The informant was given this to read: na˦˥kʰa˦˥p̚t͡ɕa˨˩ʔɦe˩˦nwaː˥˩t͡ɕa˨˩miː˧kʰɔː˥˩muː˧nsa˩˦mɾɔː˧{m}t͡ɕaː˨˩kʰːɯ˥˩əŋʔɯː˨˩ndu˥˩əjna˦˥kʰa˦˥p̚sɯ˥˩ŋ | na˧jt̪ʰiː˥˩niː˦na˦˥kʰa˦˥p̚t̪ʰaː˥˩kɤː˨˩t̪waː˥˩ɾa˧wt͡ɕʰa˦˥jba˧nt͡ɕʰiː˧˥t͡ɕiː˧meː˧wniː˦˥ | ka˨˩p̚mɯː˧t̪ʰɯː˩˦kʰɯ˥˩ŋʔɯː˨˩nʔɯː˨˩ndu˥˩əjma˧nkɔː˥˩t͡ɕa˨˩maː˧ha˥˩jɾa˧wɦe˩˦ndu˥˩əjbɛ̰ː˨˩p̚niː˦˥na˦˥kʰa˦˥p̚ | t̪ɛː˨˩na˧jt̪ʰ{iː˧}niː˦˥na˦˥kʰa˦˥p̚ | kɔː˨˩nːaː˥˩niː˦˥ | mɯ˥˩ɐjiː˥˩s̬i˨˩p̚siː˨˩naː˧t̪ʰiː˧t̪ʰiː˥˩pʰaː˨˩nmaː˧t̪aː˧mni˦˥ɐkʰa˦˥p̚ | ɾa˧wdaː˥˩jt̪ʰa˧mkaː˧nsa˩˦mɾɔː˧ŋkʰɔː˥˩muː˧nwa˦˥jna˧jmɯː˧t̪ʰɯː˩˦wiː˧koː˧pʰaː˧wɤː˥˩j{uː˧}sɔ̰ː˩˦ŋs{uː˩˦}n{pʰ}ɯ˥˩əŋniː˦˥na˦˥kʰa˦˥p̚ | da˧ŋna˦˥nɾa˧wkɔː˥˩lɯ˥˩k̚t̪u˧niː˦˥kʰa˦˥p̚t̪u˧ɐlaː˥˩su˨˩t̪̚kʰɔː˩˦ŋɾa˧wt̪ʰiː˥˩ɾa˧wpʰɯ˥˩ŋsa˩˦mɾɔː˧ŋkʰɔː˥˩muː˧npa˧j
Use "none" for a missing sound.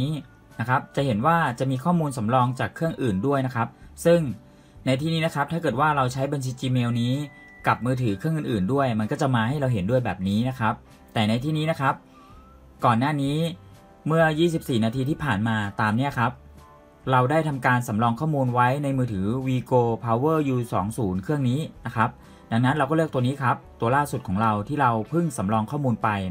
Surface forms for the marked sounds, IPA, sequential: ŋ, iː˥˩, uː˧, uː˩˦, kʰ

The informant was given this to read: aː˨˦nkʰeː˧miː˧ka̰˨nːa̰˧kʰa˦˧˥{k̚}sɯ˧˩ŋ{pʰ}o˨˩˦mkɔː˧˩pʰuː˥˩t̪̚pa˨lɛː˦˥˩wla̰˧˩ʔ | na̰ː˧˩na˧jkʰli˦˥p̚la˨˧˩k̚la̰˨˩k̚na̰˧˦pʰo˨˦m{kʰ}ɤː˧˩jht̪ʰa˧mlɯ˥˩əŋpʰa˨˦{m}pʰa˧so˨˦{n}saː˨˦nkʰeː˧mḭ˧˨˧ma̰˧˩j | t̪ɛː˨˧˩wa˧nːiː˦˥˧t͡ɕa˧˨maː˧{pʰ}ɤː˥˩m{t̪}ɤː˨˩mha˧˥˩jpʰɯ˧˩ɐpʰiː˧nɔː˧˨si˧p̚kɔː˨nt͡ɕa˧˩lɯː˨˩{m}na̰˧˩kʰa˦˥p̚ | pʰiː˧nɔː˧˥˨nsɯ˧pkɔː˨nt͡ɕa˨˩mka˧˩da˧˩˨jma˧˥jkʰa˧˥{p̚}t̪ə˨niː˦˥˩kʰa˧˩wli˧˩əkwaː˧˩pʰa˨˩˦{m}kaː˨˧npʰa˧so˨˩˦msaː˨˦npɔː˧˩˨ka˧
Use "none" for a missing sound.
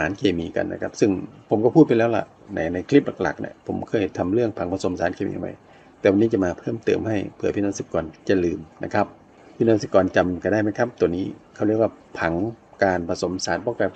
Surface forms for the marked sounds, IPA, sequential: p̚, pʰ, kʰ, ŋ, m, pʰ, t̪, m, p̚, ŋ

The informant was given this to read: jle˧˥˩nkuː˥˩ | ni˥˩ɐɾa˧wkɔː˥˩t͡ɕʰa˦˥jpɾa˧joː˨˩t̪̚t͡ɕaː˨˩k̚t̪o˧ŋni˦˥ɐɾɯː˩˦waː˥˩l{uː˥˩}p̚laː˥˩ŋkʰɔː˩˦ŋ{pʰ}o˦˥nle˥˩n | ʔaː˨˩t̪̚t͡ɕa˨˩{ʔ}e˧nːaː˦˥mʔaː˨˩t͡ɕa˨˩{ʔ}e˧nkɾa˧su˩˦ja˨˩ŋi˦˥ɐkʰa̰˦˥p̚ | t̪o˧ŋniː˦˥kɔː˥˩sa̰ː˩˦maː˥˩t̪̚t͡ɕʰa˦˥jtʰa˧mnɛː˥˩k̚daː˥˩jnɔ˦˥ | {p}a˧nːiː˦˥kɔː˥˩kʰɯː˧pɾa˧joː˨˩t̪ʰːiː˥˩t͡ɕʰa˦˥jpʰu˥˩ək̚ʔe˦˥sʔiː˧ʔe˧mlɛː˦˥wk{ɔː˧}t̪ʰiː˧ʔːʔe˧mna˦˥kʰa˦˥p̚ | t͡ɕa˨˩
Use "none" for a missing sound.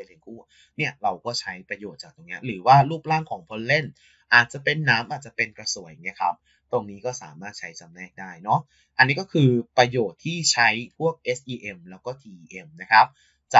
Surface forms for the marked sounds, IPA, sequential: uː˥˩, pʰ, p, p, ʔ, ɔː˥˩

